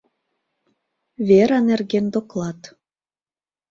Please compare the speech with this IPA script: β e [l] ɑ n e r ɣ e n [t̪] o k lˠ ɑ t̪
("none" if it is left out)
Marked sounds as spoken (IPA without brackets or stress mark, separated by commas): ɾ, d̪